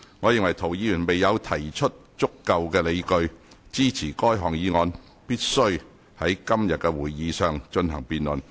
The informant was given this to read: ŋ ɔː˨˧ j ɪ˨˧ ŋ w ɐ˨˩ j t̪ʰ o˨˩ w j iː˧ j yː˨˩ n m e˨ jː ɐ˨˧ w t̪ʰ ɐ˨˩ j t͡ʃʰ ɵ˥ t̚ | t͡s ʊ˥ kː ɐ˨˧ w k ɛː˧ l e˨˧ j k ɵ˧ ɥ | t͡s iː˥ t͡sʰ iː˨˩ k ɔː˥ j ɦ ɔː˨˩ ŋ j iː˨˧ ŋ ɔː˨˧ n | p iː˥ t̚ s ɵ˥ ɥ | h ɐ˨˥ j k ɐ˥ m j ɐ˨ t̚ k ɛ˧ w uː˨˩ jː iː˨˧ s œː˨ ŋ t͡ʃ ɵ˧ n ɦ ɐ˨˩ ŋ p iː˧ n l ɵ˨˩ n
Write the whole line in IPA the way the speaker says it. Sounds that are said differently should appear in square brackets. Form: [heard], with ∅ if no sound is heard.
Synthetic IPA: ŋ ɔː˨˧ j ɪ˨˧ ŋ w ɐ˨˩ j t̪ʰ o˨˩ w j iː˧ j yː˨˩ n m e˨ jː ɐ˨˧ w t̪ʰ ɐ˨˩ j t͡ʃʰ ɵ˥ t̚ | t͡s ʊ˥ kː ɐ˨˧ w k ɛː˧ l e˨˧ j k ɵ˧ ɥ | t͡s iː˥ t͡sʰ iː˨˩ k ɔː˥ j ɦ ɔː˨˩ ŋ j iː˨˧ ŋ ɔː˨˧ n | p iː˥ t̚ s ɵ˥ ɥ | h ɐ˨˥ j k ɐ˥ m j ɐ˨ t̚ k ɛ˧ w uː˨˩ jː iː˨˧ s œː˨ ŋ t͡ʃ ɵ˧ n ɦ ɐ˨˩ ŋ p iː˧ n l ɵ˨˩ n

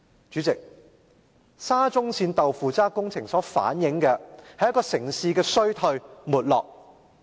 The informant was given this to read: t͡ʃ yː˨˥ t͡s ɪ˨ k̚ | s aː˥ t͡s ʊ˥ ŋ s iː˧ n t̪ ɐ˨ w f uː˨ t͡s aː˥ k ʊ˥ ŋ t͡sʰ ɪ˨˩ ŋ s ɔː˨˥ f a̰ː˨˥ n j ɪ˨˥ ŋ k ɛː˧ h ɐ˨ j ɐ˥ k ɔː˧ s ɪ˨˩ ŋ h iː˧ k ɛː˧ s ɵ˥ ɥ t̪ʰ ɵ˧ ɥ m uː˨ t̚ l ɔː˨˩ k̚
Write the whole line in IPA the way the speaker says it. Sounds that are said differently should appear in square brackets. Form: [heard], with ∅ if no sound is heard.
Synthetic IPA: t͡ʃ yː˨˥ t͡s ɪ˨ k̚ | s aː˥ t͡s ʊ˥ ŋ s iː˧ n t̪ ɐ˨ w f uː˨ t͡s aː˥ k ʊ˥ ŋ t͡sʰ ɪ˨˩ ŋ s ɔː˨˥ f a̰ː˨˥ n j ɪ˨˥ ŋ k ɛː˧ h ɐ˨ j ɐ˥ k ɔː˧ s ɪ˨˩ ŋ [s] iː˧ k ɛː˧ s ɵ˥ ɥ t̪ʰ ɵ˧ ɥ m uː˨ t̚ l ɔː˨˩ k̚

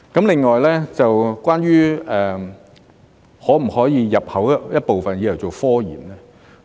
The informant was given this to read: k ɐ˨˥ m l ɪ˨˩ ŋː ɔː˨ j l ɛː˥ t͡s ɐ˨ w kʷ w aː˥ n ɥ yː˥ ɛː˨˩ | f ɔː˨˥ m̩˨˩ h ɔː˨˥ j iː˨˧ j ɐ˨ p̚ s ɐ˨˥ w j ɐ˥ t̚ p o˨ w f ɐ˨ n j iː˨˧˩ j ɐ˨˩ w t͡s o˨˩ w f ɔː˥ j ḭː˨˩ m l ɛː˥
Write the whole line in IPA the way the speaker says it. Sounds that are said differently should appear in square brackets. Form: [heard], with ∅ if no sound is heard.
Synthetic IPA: k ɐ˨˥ m l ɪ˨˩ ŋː ɔː˨ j l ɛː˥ t͡s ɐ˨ w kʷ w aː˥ n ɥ yː˥ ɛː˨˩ | [h] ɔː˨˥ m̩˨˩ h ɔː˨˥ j iː˨˧ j ɐ˨ p̚ [h] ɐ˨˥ w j ɐ˥ t̚ p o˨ w f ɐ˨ n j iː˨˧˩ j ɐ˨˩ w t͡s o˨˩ w f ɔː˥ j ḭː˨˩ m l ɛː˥

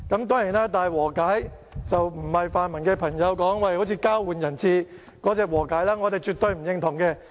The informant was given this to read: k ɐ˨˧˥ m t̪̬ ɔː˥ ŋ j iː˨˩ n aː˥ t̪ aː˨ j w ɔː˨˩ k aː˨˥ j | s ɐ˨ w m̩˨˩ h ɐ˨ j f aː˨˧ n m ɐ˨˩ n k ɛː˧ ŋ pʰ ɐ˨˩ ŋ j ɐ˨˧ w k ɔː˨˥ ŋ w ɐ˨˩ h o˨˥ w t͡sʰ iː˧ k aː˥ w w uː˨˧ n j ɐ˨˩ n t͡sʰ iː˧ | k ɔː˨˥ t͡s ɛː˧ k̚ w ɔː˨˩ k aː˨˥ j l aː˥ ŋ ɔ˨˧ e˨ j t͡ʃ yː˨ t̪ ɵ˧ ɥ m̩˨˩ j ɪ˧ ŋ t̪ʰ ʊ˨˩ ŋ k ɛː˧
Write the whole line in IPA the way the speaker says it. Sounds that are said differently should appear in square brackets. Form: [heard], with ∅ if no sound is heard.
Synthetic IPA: k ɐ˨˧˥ m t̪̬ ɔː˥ ŋ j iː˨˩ n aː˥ t̪ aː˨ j w ɔː˨˩ k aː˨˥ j | [t͡s] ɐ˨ w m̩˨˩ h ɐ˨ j f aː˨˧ n m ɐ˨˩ n k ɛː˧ [∅] pʰ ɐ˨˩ ŋ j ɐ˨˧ w k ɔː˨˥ ŋ w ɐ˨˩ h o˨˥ w t͡sʰ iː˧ k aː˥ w w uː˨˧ n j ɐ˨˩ n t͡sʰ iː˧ | k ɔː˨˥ t͡s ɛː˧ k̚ w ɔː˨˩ k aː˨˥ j l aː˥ ŋ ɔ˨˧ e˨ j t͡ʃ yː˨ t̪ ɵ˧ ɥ m̩˨˩ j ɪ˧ ŋ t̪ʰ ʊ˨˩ ŋ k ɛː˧

